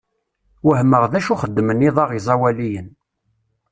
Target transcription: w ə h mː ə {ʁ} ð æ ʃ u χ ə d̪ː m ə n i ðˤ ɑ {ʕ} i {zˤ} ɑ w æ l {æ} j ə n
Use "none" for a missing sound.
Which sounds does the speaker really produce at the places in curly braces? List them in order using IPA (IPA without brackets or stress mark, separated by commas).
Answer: ʁ, ʁ, zˤ, i